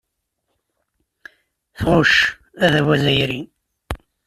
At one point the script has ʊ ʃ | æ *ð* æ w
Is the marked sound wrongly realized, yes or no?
no